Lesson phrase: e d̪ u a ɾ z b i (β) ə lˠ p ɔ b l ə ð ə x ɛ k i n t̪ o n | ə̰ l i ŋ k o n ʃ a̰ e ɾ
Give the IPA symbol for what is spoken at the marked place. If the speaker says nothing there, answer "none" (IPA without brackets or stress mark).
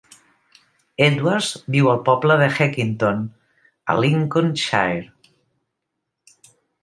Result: w